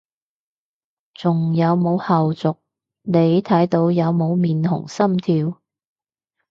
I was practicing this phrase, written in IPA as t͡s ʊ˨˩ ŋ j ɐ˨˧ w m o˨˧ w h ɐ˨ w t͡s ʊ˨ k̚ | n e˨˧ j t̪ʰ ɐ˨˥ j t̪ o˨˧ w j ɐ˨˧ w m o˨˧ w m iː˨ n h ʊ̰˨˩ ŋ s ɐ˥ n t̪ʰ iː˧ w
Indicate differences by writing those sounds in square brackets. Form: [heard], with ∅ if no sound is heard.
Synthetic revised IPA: t͡s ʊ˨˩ ŋ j ɐ˨˧ w m o˨˧ w h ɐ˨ w t͡s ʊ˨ k̚ | n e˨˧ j t̪ʰ ɐ˨˥ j t̪ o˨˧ w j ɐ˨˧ w m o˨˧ w m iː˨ n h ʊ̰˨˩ ŋ s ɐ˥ [m] t̪ʰ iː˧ w